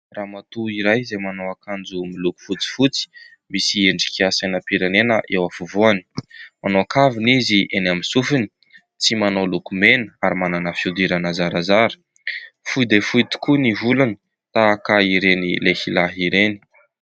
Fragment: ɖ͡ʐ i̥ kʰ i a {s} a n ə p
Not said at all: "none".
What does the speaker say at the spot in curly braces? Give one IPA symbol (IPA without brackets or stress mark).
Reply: s